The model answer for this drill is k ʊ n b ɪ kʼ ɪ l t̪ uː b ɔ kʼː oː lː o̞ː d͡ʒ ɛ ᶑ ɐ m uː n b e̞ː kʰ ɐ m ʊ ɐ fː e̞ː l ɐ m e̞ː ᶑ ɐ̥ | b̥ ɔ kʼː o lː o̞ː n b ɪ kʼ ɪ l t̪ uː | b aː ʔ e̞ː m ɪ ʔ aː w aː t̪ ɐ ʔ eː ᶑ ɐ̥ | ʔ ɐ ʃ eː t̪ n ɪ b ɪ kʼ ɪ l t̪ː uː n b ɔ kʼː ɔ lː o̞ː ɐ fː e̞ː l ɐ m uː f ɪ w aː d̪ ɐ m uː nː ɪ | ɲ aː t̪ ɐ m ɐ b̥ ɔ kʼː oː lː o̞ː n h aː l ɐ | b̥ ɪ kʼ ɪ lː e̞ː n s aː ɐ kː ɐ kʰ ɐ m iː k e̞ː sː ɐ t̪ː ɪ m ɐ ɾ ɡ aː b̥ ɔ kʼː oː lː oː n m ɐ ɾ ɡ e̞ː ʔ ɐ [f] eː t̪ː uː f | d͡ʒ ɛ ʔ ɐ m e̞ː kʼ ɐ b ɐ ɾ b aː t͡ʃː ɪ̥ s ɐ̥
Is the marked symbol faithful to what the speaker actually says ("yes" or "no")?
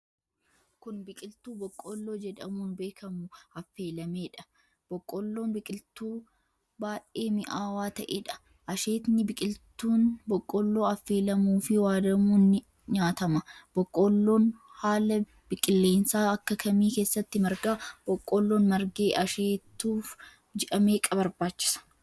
no